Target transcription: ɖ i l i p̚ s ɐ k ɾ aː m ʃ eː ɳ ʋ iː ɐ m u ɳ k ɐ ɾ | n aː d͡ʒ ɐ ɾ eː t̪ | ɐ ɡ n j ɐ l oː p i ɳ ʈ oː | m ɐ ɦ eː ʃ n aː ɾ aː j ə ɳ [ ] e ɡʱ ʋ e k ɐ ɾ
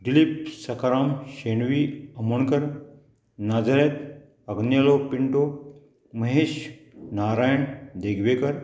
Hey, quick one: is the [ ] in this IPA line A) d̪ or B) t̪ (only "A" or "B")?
A